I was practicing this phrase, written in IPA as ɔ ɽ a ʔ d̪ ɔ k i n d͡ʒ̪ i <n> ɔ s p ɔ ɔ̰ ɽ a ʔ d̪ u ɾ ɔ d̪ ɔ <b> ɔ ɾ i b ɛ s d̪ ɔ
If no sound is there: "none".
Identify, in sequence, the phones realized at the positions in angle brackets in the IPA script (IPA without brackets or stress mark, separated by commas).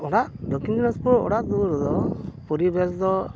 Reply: n, p